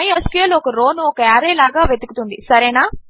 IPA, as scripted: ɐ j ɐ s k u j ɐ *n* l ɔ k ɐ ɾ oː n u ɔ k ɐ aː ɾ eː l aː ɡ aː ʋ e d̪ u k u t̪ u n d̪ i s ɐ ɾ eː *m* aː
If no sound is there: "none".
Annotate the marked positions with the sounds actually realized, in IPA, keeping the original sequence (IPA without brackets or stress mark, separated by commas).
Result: none, n